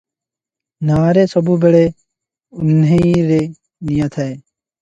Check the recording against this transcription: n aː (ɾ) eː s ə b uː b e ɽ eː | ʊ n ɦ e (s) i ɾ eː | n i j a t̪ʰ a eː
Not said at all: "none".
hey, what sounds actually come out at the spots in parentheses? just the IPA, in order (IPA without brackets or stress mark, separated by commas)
ɾ, none